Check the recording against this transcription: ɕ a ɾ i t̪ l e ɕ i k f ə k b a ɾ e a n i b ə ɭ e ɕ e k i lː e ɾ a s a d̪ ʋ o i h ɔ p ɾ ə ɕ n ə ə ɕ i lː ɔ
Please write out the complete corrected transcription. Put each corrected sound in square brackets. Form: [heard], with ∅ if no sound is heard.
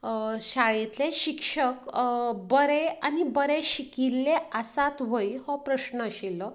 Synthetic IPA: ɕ a [ɭ] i t̪ l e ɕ i k [ʂ] ə k b [ə] ɾ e a n i b ə [ɾ] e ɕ [i] k i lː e [∅] a s a [t̪] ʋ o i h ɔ p ɾ ə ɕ n ə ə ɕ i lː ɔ